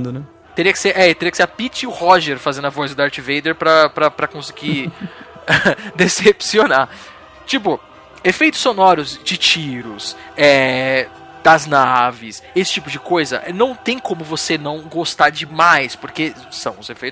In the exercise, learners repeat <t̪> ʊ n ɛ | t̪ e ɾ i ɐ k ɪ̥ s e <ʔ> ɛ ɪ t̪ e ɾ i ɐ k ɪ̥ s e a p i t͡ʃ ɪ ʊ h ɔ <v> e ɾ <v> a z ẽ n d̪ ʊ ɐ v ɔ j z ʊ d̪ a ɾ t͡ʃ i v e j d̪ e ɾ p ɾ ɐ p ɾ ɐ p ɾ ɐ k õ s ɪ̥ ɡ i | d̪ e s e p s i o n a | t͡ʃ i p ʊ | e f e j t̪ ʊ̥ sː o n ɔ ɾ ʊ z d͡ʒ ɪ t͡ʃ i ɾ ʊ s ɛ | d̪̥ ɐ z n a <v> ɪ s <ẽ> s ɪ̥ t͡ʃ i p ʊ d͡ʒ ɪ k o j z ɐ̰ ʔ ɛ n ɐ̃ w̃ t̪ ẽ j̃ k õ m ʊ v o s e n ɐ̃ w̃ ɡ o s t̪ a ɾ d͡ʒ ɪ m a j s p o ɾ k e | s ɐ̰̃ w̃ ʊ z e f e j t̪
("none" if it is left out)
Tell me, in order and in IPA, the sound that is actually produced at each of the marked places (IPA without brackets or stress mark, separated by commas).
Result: d̪, ʔ, ʒ, f, v, e